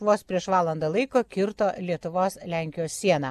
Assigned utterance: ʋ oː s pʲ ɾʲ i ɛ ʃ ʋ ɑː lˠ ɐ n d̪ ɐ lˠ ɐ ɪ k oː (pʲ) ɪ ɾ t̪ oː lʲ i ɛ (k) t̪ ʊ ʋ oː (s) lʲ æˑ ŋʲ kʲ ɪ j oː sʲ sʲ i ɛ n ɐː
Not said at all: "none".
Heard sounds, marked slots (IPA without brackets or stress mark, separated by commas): kʲ, none, s